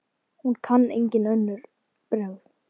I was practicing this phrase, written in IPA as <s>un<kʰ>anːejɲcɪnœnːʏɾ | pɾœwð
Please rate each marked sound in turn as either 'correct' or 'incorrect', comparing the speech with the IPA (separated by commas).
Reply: incorrect, correct